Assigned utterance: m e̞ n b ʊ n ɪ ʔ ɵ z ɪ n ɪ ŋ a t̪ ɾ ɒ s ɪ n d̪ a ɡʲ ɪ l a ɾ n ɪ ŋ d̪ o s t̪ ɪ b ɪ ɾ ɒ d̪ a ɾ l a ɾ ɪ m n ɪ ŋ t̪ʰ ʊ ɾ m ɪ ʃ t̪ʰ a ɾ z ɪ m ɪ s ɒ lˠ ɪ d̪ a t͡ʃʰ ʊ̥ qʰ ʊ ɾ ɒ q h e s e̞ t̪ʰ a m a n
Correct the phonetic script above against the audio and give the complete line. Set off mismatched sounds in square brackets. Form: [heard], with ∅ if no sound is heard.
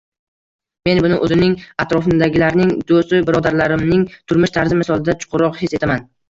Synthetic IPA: m e̞ n b ʊ n ɪ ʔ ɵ z ɪ n ɪ ŋ a t̪ ɾ ɒ [f] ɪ n d̪ a ɡʲ ɪ l a ɾ n ɪ ŋ d̪ o s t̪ ɪ b ɪ ɾ ɒ d̪ a ɾ l a ɾ ɪ m n ɪ ŋ t̪ʰ ʊ ɾ m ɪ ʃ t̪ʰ a ɾ z ɪ m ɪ s ɒ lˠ ɪ d̪ a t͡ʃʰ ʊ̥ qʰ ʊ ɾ ɒ q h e s e̞ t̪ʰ a m a n